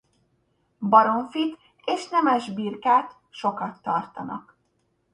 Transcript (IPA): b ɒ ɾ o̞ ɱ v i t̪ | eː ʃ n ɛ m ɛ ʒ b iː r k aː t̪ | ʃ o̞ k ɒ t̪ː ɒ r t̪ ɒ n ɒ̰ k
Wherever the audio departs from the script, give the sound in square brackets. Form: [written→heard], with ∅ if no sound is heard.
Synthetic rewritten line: b ɒ ɾ o̞ ɱ [v→f] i t̪ | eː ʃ n ɛ m ɛ ʒ b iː r k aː t̪ | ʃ o̞ k ɒ t̪ː ɒ r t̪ ɒ n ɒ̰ k